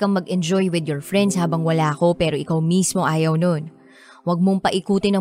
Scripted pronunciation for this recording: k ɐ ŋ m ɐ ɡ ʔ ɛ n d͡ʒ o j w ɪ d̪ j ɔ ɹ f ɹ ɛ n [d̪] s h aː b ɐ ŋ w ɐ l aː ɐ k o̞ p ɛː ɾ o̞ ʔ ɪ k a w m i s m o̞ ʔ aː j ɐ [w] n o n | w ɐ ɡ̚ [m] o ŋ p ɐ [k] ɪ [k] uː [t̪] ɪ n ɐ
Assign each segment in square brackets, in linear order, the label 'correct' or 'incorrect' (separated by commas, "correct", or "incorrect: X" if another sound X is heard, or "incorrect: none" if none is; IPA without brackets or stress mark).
correct, correct, correct, incorrect: ʔ, correct, correct